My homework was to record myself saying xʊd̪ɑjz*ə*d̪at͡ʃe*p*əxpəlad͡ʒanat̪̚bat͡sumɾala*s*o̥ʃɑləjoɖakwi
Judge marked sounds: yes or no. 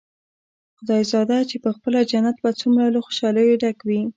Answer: no, yes, no

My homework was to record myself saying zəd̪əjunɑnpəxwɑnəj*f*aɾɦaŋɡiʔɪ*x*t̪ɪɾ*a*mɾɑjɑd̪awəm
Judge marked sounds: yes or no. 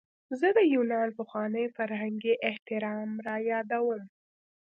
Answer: yes, no, no

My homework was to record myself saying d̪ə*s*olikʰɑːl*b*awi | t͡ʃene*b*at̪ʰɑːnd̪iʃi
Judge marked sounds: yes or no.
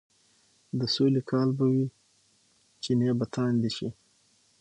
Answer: yes, yes, yes

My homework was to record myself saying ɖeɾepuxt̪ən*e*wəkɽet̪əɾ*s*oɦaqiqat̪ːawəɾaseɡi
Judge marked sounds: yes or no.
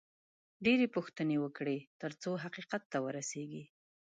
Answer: yes, no

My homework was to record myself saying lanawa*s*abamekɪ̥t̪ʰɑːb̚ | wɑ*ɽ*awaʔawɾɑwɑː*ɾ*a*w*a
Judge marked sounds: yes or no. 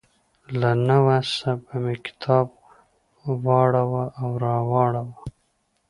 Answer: yes, yes, no, yes

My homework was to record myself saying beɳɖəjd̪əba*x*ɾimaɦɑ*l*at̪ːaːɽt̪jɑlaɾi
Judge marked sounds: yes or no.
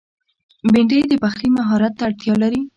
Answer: yes, no

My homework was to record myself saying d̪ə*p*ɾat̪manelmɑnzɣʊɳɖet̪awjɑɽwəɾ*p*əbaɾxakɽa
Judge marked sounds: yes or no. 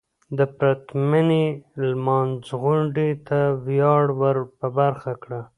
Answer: yes, yes

